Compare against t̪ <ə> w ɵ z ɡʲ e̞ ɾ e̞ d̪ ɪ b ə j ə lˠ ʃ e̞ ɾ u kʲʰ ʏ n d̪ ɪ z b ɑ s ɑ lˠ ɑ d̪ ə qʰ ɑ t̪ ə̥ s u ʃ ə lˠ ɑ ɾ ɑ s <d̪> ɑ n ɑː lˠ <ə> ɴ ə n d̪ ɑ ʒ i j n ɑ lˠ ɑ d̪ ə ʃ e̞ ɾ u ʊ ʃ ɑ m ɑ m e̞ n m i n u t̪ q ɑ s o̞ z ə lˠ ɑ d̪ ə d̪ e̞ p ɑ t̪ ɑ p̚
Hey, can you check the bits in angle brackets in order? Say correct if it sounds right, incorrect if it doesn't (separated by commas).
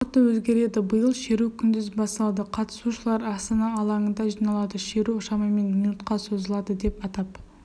correct, incorrect, incorrect